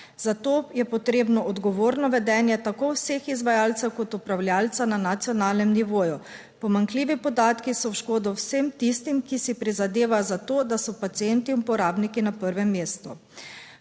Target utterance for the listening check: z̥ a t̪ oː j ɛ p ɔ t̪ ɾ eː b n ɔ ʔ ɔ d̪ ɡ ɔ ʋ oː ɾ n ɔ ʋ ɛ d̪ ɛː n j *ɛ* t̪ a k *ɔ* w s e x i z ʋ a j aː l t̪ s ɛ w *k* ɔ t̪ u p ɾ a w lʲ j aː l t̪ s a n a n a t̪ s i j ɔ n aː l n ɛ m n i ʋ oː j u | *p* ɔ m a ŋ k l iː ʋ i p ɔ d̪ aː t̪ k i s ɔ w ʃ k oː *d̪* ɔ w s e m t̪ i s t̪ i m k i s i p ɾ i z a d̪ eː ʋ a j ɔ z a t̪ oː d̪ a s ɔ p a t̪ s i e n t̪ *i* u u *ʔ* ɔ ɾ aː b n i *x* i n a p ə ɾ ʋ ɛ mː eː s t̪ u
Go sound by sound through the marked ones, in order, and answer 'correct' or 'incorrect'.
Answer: correct, incorrect: o, correct, correct, correct, correct, incorrect: p, incorrect: k

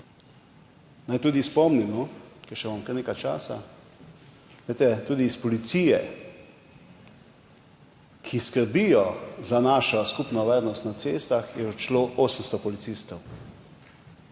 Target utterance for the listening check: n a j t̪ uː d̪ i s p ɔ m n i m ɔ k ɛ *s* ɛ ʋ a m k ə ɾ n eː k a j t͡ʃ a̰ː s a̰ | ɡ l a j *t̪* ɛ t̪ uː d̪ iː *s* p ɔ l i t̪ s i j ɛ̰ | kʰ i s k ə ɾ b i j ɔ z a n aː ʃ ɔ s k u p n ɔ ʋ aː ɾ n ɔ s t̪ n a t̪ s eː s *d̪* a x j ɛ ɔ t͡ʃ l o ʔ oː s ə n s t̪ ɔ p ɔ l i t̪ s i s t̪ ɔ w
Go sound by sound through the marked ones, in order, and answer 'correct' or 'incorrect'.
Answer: incorrect: ʃ, correct, correct, incorrect: t̪

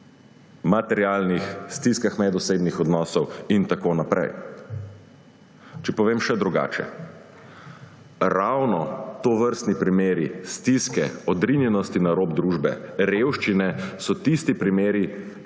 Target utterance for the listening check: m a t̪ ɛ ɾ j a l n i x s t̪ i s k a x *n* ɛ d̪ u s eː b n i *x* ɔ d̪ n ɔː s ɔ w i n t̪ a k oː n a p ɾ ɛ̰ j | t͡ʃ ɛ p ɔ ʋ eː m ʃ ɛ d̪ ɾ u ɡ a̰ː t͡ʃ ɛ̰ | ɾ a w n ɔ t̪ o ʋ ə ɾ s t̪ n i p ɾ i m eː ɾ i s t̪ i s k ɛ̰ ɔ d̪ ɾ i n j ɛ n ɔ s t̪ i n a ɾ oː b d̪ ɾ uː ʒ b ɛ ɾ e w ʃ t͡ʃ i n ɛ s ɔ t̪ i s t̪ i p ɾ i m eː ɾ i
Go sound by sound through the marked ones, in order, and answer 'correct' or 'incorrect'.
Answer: incorrect: m, correct

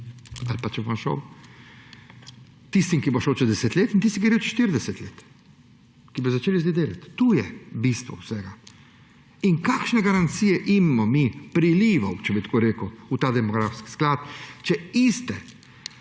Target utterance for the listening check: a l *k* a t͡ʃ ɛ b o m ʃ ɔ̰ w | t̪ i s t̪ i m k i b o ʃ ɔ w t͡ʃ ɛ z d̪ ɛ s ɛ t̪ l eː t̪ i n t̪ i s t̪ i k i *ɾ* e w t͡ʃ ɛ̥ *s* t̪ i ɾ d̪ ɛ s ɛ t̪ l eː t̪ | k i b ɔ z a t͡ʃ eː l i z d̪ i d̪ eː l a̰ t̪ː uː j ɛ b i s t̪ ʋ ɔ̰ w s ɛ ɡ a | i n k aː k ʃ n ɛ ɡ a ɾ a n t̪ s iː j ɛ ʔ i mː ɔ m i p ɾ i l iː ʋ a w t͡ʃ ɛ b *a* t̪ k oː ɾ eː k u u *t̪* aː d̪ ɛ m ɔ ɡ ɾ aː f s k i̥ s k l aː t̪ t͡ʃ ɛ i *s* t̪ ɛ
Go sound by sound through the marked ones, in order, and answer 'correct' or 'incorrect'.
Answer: incorrect: p, correct, incorrect: ʃ, incorrect: i, correct, correct

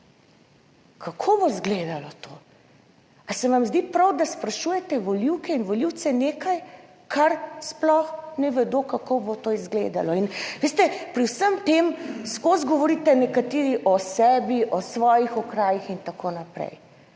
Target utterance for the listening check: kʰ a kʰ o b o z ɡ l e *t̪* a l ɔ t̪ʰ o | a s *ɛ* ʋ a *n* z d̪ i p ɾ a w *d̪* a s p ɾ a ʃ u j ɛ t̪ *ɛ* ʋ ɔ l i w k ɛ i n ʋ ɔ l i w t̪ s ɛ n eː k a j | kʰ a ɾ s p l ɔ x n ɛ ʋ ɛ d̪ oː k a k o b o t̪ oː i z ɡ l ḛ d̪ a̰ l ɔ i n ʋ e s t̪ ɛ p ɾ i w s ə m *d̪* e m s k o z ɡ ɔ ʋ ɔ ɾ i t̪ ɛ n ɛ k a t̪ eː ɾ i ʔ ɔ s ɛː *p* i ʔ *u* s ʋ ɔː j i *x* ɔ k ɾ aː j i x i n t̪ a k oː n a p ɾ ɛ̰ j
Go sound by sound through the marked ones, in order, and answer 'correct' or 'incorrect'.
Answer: incorrect: d̪, correct, incorrect: m, correct, correct, incorrect: t̪, incorrect: b, incorrect: ɔ, correct

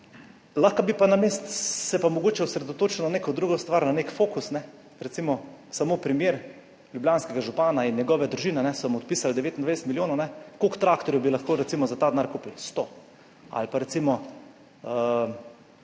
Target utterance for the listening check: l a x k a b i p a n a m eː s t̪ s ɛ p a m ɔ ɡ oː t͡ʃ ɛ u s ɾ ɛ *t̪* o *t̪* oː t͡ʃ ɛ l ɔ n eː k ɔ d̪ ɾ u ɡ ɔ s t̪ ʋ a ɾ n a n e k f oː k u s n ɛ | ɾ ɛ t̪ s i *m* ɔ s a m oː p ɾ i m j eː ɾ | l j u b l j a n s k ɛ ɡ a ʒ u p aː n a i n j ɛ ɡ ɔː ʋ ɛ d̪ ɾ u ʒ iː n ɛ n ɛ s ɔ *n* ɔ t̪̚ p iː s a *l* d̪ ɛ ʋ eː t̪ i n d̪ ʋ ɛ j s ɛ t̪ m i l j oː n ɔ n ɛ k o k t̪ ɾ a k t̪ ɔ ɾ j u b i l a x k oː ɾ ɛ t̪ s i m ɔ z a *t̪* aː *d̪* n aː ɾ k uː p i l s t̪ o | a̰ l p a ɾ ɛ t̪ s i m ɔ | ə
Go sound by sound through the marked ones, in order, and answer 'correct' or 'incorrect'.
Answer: incorrect: d̪, correct, correct, incorrect: m, correct, correct, correct

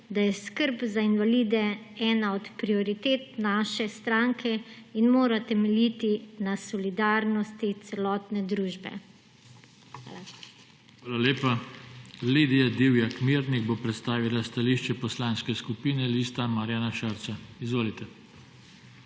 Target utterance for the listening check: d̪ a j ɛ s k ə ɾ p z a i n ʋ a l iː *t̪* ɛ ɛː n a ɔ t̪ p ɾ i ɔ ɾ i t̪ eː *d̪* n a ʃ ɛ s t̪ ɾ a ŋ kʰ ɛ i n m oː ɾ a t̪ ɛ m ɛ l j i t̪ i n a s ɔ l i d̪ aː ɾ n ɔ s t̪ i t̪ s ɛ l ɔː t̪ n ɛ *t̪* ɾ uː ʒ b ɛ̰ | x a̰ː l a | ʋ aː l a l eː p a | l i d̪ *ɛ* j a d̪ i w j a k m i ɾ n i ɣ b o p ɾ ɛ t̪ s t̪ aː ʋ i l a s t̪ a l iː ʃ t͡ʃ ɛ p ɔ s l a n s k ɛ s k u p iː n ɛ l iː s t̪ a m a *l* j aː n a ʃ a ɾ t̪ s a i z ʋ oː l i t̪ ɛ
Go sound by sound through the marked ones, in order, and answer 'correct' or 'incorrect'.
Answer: incorrect: d̪, incorrect: t̪, incorrect: d̪, incorrect: i, incorrect: ɾ

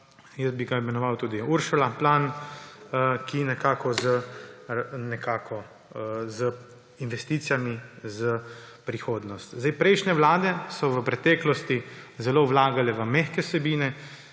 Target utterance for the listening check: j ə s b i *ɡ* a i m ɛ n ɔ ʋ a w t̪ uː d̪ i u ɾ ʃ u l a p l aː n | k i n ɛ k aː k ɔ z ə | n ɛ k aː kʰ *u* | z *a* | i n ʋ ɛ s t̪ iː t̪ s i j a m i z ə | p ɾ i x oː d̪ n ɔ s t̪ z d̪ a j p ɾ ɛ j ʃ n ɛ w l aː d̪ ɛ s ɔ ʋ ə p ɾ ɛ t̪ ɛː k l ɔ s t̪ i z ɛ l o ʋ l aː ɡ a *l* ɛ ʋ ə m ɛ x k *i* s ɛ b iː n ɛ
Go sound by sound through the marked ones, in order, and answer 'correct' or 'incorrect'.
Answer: correct, incorrect: ɔ, incorrect: ə, correct, incorrect: ɛ

